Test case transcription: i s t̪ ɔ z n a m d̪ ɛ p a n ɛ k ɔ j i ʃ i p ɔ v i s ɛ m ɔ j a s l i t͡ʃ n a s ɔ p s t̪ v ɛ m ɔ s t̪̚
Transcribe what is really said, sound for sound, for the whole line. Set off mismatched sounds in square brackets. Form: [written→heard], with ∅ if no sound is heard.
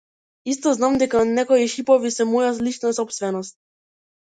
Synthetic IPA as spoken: i s t̪ ɔ z n a m d̪ ɛ [p→k] a n ɛ k ɔ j i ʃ i p ɔ v i s ɛ m ɔ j a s l i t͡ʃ n a s ɔ p s t̪ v ɛ [m→n] ɔ s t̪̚